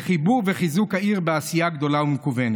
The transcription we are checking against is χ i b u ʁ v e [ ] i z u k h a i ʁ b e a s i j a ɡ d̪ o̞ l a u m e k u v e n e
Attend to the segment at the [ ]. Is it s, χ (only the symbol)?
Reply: χ